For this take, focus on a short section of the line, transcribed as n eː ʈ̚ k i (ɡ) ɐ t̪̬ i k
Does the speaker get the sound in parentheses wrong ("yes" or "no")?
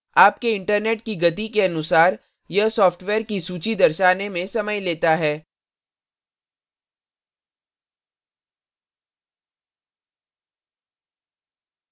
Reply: no